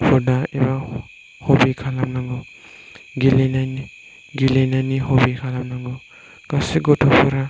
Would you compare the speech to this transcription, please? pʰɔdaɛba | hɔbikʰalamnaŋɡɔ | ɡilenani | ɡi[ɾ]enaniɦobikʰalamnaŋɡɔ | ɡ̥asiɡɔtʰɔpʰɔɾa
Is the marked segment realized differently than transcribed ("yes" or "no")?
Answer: yes